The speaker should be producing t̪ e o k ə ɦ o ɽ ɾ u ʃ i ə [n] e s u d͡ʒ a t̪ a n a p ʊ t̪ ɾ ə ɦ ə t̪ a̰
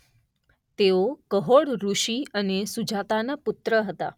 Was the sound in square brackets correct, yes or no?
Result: yes